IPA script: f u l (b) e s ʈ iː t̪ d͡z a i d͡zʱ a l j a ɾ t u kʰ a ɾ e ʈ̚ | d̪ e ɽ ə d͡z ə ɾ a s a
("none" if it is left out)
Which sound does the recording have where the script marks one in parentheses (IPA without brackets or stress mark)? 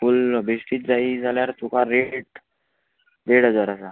b